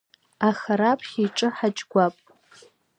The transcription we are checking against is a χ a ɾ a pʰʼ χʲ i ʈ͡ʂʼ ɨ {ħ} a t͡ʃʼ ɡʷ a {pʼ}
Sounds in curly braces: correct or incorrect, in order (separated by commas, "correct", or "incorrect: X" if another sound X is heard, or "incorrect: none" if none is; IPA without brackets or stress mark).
correct, correct